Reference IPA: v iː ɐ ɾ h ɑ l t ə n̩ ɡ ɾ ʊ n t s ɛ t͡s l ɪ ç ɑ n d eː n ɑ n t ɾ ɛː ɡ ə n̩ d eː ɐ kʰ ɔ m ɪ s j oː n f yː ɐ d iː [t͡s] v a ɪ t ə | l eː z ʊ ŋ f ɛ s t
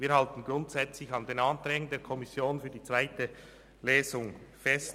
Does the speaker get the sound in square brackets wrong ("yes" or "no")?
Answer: no